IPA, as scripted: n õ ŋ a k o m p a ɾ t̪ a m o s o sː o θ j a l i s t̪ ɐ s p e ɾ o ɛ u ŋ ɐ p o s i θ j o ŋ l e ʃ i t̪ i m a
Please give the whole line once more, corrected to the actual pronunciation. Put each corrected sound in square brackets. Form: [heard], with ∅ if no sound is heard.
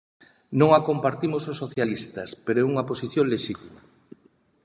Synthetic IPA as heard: n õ ŋ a k o m p a ɾ t̪ [i] m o s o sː o θ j a l i s t̪ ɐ s p e ɾ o ɛ u ŋ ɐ p o s i θ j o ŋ l e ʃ i t̪ i m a